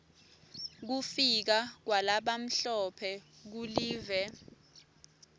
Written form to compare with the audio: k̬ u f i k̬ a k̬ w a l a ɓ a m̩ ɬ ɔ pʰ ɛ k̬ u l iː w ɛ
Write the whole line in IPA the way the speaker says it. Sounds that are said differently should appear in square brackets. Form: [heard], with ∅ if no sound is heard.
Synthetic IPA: k̬ u f i k̬ a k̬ w a l a ɓ a m̩ ɬ ɔ pʰ ɛ k̬ u l iː [v] ɛ

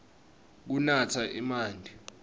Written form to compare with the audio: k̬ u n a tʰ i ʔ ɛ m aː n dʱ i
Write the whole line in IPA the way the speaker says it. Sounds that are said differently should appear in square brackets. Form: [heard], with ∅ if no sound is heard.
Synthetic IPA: k̬ u n a tʰ [a] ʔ [i] m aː n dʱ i

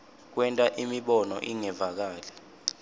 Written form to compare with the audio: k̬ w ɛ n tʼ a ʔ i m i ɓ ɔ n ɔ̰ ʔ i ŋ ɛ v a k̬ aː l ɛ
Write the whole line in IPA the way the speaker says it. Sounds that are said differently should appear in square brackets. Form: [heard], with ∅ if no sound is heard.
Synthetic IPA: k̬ w ɛ n tʼ a ʔ i m i ɓ ɔ n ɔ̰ ʔ i ŋ ɛ v a k̬ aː l ɛ

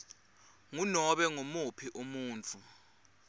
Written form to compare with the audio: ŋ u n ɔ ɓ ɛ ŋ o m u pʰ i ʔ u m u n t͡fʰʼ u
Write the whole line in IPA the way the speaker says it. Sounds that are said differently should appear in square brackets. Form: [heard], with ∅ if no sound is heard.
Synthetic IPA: ŋ u n ɔ ɓ ɛ ŋ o m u pʰ i ʔ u m [uː] n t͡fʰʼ u

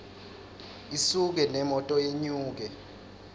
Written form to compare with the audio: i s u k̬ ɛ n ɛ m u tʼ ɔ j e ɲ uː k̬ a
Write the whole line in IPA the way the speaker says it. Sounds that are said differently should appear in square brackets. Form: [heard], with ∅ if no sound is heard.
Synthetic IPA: i s u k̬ ɛ n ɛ m [ɔ] tʼ ɔ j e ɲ uː k̬ [ɛ]

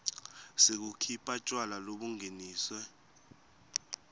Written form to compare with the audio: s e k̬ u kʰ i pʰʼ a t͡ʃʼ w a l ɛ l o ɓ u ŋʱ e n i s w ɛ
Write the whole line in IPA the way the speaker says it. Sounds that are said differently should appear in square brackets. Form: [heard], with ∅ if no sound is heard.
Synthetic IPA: s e k̬ u kʰ i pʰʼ a t͡ʃʼ w a l [a] l o ɓ u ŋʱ e n [iː] s w ɛ

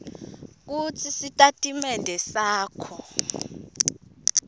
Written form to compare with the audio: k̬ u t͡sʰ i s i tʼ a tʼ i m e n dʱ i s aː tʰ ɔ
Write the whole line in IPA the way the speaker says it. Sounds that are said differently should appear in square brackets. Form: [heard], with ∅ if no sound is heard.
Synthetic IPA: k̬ u t͡sʰ i s i tʼ a tʼ i m [ɛ] n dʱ [ɛ] s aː [kʰ] ɔ

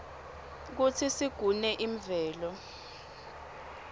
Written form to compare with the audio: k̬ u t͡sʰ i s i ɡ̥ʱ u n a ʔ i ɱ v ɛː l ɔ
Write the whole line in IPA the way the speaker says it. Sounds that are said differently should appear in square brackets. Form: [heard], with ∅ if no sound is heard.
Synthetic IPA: k̬ u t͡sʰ i s i ɡ̥ʱ u n [ɛ] ʔ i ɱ v ɛː l ɔ

